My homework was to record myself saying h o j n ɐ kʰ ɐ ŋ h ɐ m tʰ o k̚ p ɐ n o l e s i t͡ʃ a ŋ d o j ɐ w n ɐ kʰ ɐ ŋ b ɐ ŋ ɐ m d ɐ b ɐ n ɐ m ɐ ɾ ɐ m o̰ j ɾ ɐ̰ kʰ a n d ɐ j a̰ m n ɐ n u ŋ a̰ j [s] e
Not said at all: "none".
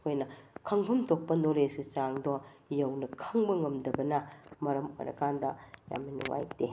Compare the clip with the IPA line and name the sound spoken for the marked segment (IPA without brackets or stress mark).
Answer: t